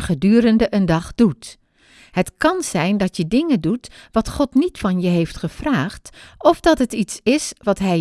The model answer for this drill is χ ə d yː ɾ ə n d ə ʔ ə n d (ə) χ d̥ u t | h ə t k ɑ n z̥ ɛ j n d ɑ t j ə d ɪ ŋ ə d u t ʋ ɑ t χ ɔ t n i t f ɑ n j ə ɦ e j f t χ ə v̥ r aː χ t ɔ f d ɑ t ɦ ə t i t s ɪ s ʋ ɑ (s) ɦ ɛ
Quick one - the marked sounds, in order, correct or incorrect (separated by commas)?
incorrect, incorrect